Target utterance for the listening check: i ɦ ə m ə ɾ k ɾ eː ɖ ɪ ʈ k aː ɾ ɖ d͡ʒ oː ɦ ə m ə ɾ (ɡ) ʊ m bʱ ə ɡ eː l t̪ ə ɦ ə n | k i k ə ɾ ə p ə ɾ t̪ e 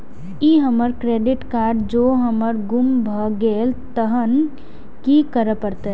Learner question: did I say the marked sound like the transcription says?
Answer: yes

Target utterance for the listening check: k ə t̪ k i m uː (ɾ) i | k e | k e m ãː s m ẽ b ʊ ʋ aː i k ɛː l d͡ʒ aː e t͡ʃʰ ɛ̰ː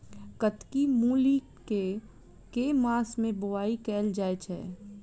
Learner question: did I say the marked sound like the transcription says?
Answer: no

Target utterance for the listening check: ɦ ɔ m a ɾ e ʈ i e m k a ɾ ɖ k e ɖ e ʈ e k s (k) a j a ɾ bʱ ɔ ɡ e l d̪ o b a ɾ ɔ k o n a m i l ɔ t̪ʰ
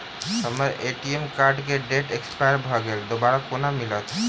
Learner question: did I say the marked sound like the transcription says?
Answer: no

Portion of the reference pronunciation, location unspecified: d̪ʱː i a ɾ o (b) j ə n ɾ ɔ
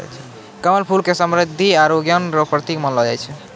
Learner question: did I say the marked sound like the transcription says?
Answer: no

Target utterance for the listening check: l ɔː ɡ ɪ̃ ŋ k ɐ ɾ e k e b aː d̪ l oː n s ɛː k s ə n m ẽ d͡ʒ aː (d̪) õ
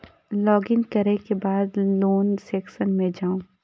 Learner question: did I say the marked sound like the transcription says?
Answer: no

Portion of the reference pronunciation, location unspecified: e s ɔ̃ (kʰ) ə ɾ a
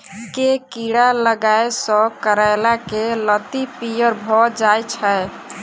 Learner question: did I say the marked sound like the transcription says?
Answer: no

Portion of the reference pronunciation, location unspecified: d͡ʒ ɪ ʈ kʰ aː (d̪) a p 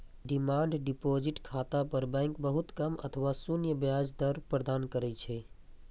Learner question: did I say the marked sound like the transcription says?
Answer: no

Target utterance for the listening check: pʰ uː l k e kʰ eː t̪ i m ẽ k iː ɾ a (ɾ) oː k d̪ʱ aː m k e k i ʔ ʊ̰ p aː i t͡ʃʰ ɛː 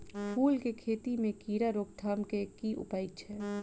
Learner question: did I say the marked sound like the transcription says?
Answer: yes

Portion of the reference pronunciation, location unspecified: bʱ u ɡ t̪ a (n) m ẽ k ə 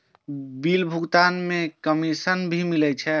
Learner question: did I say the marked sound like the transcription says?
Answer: yes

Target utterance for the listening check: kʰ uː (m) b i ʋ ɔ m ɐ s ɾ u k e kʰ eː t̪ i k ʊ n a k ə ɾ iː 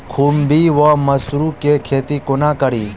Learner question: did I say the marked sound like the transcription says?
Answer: yes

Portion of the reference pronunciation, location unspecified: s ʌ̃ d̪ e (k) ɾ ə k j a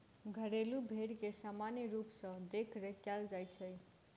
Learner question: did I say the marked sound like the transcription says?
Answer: no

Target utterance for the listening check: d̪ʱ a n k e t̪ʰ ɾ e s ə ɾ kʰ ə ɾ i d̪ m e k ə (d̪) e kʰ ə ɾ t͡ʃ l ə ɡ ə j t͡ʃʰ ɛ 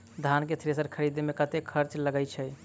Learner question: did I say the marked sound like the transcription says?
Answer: no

